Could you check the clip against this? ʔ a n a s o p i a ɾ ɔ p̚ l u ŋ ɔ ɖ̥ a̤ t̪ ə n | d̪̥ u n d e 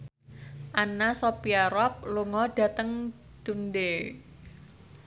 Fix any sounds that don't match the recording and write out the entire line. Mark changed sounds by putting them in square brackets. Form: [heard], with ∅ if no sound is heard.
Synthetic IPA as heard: ʔ a n a s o p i a ɾ ɔ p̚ l u ŋ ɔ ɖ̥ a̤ t̪ ə [ŋ] | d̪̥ u n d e